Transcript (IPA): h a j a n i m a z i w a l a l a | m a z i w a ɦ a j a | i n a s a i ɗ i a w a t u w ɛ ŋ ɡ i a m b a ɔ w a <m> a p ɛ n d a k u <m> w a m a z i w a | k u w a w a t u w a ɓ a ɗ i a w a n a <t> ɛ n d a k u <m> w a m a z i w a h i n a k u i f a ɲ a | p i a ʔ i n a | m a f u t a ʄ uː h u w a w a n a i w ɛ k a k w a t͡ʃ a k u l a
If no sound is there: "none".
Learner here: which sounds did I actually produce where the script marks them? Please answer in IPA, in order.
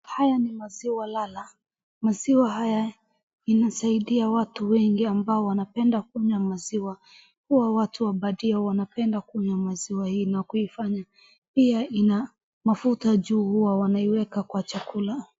n, ɲ, p, ɲ

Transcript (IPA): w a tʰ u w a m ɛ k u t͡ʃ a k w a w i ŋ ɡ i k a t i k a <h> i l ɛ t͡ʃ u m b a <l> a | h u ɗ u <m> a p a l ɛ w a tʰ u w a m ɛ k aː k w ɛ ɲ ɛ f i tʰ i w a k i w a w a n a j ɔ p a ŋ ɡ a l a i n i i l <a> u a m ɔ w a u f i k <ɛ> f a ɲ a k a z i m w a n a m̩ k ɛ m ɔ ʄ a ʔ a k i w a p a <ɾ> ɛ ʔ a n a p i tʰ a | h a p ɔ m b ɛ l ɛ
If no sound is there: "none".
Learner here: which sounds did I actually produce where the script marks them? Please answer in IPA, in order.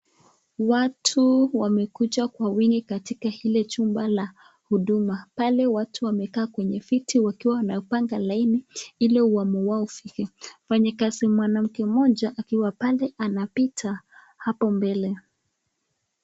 h, l, m, ɛ, ɛ, l

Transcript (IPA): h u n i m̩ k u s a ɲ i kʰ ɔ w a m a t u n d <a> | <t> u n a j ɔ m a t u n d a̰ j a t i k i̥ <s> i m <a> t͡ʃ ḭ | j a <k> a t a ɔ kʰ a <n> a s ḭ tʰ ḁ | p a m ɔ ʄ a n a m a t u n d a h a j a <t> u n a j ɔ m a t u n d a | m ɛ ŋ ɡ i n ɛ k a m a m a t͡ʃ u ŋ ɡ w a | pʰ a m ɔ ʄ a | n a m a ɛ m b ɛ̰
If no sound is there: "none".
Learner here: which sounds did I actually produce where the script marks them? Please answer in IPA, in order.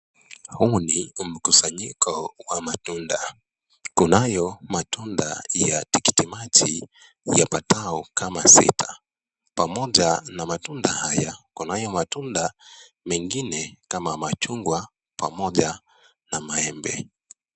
a, k, t, a, p, m, k

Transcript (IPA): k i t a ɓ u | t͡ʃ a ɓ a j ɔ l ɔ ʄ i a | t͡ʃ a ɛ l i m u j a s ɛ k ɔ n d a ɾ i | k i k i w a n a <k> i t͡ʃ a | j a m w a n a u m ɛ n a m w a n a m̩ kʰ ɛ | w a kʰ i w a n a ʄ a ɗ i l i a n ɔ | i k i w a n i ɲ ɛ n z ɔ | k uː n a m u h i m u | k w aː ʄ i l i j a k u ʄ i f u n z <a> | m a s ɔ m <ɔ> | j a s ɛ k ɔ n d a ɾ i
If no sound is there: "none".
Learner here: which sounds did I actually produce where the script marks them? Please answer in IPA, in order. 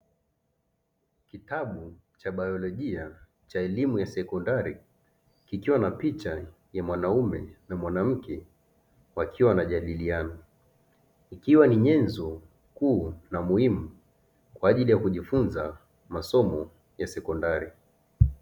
p, a, ɔ

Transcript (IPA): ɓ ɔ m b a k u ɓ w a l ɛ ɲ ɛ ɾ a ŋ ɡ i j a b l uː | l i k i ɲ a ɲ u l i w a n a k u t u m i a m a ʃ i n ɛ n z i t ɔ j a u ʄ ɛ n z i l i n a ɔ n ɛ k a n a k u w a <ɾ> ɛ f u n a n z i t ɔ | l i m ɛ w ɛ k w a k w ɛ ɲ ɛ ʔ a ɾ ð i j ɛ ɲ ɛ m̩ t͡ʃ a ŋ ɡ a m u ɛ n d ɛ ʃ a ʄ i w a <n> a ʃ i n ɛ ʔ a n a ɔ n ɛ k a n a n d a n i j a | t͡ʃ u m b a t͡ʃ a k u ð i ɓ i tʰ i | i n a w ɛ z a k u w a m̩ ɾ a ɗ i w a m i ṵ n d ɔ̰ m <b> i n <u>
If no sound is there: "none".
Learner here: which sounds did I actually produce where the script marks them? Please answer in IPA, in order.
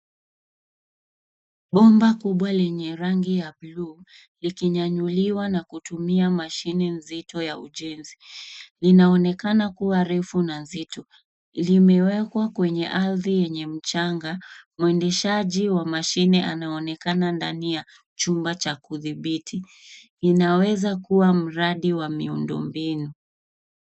ɾ, m, b, u

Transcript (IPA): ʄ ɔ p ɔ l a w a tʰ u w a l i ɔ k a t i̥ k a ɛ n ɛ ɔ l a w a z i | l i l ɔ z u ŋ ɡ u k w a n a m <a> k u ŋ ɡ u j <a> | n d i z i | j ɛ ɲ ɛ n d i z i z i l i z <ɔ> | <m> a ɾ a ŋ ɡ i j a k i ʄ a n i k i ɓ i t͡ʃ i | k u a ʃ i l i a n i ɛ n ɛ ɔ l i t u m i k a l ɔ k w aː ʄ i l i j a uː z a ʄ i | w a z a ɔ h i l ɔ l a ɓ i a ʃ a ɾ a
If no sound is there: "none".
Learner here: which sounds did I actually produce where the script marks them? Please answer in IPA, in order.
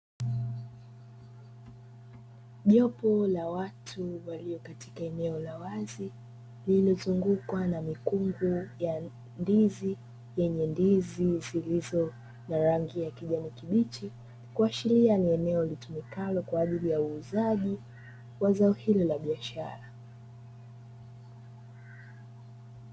i, a, ɔ, n

